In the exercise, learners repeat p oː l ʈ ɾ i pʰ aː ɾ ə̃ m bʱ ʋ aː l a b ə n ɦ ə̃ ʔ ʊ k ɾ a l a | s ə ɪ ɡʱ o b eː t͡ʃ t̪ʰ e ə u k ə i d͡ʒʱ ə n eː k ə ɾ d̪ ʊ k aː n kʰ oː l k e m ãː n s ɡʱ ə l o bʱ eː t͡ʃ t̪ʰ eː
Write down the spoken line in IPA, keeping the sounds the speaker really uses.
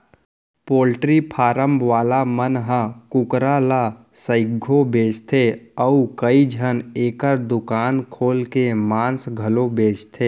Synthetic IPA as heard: p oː l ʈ ɾ i pʰ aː ɾ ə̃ m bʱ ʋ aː l a m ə n ɦ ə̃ k ʊ k ɾ a l a | s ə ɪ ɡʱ o b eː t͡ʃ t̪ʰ e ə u k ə i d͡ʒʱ ə n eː k ə ɾ d̪ ʊ k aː n kʰ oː l k e m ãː n s ɡʱ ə l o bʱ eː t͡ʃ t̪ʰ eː

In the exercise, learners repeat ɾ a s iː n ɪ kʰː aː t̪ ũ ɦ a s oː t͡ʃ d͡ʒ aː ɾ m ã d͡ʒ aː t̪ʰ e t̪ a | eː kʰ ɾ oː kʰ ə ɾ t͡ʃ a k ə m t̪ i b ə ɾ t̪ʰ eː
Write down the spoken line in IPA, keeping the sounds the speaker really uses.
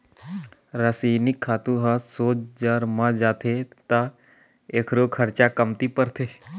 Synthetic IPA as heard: ɾ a s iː n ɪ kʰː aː t̪ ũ ɦ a s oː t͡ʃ d͡ʒ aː ɾ m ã d͡ʒ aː t̪ʰ e t̪ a | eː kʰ ɾ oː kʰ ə ɾ t͡ʃ a k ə m t̪ i p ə ɾ t̪ʰ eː

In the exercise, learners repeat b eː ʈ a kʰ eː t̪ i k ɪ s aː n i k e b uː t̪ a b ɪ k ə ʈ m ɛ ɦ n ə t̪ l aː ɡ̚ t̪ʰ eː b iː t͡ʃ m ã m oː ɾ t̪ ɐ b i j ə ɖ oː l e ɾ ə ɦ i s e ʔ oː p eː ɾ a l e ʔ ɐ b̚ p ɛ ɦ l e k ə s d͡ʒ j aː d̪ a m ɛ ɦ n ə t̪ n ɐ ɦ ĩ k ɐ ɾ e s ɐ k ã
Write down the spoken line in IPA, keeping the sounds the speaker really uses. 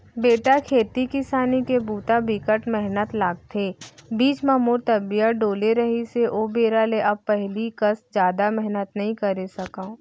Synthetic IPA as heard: b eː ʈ a kʰ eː t̪ i k ɪ s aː n i k e b uː t̪ a b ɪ k ə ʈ m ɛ ɦ n ə t̪ l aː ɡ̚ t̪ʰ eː b iː t͡ʃ m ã m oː ɾ t̪ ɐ b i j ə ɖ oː l e ɾ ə ɦ i s e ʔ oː b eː ɾ a l e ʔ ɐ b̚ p ɛ ɦ l i k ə s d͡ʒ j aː d̪ a m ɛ ɦ n ə t̪ n ɐ ɦ ĩ k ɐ ɾ e s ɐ k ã

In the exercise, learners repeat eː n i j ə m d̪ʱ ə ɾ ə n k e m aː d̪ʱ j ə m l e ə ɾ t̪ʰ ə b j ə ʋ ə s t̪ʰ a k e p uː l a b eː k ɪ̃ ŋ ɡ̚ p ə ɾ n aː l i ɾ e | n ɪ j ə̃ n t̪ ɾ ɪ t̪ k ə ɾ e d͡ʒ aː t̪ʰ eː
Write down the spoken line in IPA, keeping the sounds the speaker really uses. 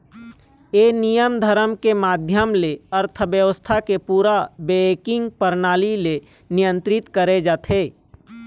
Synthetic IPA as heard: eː n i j ə m d̪ʱ ə ɾ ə m k e m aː d̪ʱ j ə m l e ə ɾ t̪ʰ ə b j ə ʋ ə s t̪ʰ a k e p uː ɾ a b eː k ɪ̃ ŋ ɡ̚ p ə ɾ n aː l i l e | n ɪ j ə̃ n t̪ ɾ ɪ t̪ k ə ɾ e d͡ʒ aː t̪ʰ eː

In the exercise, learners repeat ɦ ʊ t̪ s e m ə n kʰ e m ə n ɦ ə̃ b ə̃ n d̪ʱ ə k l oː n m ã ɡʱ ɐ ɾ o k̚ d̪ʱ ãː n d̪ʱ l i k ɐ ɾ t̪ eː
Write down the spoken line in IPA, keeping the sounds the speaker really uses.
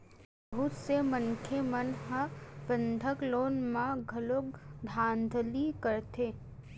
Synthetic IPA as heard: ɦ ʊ t̪ s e m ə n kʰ e m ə n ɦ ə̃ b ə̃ n d̪ʱ ə k l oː n m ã ɡʱ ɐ l o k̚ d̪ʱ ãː n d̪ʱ l i k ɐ ɾ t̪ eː

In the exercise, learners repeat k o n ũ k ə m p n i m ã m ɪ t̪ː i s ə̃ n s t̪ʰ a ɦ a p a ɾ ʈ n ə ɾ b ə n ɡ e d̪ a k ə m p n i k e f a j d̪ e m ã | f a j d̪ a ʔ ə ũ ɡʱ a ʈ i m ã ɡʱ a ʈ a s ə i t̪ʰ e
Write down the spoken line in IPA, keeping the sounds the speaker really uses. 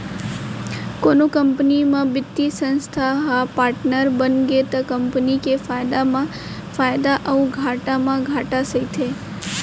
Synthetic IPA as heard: k o n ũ k ə m p n i m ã b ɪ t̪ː i s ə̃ n s t̪ʰ a ɦ a p a ɾ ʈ n ə ɾ b ə n ɡ e t̪ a k ə m p n i k e f a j d̪ a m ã | f a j d̪ a ʔ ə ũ ɡʱ a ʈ a m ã ɡʱ a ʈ a s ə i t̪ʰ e

